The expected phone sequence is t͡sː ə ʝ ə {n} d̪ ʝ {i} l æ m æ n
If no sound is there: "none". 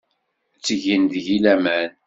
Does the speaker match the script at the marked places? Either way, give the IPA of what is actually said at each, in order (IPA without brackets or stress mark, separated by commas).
n, i